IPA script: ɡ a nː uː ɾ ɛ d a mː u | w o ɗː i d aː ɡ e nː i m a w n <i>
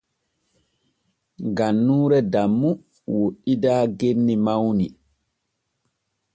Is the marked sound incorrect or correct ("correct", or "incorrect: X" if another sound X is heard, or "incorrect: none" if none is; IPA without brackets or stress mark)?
correct